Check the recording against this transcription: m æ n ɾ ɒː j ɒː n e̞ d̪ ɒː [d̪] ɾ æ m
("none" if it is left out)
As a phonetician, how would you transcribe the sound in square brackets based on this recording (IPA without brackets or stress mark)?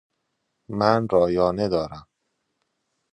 none